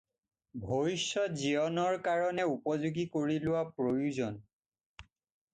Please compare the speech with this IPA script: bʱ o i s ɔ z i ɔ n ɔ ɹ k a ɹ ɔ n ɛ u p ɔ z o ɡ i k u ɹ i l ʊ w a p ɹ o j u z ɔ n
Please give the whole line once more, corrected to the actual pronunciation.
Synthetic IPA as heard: bʱ o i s ɔ z i ɔ n ɔ ɹ k a ɹ ɔ n ɛ u p ɔ z u ɡ i k o ɹ i l ʊ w a p ɹ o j u z ɔ n

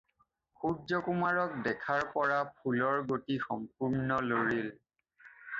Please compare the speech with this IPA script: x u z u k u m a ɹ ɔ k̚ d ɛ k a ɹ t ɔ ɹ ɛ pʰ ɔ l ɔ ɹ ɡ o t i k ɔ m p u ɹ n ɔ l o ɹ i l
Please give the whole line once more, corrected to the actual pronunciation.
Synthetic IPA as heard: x u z ɔ k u m a ɹ ɔ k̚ d ɛ kʰ a ɹ p ɔ ɹ a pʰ u l ɔ ɹ ɡ o t i x ɔ m p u ɹ n ɔ l o ɹ i l

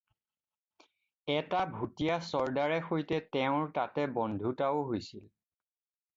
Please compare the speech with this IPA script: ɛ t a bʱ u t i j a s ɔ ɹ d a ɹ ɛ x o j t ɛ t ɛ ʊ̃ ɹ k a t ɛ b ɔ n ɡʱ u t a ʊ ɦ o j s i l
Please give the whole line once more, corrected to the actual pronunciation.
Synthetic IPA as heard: ɛ t a bʱ u t i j a s ɔ ɹ d a ɹ ɛ x o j t ɛ t ɛ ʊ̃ ɹ t a t ɛ b ɔ n dʱ u t a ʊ ɦ o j s i l

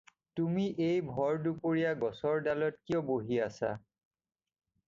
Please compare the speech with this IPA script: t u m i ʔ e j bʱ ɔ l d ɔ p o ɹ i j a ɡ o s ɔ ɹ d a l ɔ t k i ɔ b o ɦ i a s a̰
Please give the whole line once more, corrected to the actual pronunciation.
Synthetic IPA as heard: t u m i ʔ e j bʱ ɔ ɹ d u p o ɹ i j a ɡ ɔ s ɔ ɹ d a l ɔ t k i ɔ b o ɦ i a s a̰

